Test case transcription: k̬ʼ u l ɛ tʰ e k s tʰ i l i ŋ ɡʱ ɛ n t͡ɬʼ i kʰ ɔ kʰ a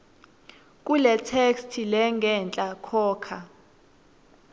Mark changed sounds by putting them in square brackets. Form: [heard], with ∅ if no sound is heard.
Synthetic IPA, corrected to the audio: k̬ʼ u l ɛ tʰ e k s tʰ i l [ɛ] ŋ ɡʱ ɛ n t͡ɬʼ [a] kʰ [ɔː] kʰ a

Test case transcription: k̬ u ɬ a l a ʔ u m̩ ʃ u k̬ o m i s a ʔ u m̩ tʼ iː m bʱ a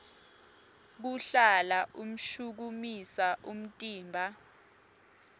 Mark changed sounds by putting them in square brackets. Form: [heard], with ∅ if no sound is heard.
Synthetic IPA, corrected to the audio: k̬ u ɬ a l a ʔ u m̩ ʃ u k̬ [u] m i s a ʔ u m̩ tʼ iː m bʱ a

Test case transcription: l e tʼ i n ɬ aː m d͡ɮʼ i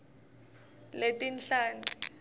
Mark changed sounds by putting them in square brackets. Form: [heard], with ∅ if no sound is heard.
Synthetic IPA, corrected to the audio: l e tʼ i n ɬ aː [n] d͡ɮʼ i

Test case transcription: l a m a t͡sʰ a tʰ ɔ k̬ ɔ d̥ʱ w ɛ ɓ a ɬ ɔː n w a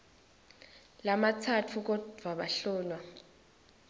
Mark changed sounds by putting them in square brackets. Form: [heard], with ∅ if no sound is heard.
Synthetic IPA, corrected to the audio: l a m a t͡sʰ a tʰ [u] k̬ ɔ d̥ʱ w [a] ɓ a ɬ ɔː n w a

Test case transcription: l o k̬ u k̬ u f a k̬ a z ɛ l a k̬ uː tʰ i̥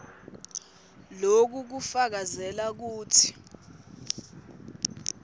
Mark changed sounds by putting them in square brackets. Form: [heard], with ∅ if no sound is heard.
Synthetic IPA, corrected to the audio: l o k̬ u k̬ u f a k̬ a z ɛ l a k̬ uː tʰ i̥

